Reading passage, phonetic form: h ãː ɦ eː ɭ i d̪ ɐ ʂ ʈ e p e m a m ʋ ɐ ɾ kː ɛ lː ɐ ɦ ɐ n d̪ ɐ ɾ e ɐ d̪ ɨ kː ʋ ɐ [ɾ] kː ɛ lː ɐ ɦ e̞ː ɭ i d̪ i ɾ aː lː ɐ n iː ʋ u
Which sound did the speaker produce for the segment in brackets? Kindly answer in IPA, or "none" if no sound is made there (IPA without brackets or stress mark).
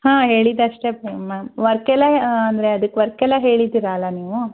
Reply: ɾ